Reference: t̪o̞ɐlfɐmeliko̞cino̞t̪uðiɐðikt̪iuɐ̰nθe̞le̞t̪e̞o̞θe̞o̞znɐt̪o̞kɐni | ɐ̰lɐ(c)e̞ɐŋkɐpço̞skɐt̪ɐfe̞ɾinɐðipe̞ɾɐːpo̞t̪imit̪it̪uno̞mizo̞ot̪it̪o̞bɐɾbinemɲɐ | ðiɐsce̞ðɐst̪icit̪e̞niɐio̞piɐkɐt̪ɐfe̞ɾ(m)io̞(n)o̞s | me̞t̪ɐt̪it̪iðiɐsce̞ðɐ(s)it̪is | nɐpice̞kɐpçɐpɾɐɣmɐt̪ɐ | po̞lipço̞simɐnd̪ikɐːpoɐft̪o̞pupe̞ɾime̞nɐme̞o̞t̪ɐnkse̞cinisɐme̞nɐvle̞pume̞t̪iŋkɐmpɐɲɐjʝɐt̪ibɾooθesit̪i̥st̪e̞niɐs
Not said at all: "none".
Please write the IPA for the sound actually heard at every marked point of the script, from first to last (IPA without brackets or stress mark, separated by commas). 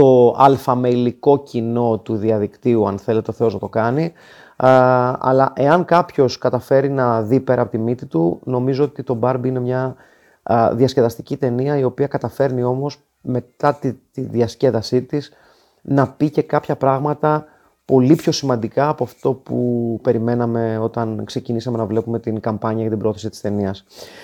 ʔ, n, m, s